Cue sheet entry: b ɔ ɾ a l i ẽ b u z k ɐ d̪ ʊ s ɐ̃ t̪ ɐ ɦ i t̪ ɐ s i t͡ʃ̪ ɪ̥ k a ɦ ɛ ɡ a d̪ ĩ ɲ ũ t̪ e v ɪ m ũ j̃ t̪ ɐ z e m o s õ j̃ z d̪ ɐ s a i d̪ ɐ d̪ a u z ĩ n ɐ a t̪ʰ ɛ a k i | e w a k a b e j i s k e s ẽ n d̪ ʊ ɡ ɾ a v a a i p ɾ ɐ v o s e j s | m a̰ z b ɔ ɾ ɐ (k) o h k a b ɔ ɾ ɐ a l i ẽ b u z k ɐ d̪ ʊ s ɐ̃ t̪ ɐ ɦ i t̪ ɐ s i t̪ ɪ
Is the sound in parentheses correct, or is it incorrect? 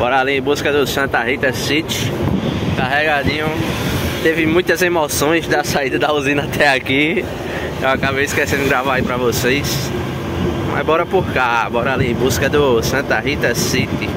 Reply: incorrect: p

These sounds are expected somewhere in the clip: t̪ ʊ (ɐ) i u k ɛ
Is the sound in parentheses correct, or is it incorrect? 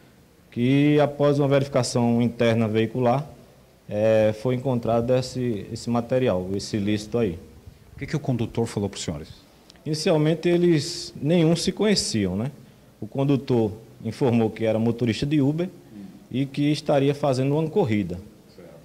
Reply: incorrect: a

